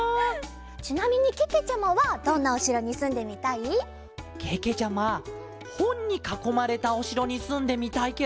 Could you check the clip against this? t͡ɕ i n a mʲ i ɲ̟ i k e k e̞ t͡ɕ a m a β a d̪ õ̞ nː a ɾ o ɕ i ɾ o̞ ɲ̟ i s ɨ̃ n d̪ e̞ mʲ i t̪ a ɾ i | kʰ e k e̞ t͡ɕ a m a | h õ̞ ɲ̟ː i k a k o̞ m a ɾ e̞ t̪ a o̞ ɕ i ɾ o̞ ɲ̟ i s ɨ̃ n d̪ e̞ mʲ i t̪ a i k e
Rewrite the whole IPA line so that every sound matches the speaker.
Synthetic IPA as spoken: t͡ɕ i n a mʲ i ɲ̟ i k e k e̞ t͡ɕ a m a β a d̪ õ̞ nː a o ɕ i ɾ o̞ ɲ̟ i s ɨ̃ n d̪ e̞ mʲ i t̪ a i | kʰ e k e̞ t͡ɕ a m a | h õ̞ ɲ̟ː i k a k o̞ m a ɾ e̞ t̪ a o̞ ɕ i ɾ o̞ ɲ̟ i s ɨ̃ n d̪ e̞ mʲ i t̪ a i k e

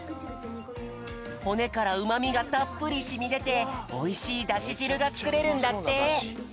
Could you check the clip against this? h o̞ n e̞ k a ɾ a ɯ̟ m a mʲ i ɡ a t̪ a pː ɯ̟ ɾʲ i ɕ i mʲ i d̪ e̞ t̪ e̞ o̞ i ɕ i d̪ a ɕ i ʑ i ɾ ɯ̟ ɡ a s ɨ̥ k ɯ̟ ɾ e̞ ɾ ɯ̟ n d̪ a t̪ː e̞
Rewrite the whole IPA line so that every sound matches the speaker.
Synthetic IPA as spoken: h o̞ n e̞ k a ɾ a ɯ̟ m a mʲ i ɡ a t̪ a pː ɯ̟ ɾʲ i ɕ i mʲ i d̪ e̞ t̪ e̞ o̞ i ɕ iː d̪ a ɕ i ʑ i ɾ ɯ̟ ɡ a t͡s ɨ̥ k ɯ̟ ɾ e̞ ɾ ɯ̟̃ n d̪ a t̪ː e̞

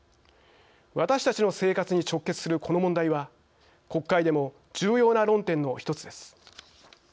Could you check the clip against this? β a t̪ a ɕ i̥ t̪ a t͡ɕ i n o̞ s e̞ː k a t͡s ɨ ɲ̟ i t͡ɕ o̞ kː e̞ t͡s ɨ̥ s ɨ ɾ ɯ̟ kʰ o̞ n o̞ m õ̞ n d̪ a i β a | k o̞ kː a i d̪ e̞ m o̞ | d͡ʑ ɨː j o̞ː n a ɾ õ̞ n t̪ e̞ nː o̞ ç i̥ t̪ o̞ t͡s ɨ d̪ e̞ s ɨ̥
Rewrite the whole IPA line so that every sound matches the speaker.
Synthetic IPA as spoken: β a t̪ a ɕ i̥ t̪ a t͡ɕ i n o̞ s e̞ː k a t͡s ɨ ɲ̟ i t͡ɕ o̞ kː e̞ t͡s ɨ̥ s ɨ ɾ ɯ̟ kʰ o̞ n o̞ m õ̞ n d̪ a i β a | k o̞ kː a i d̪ e̞ m o̞ | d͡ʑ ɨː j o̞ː n a ɾ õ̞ n t̪ ẽ̞ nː o̞ ç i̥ t̪ o̞ t͡s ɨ d̪ e̞ s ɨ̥

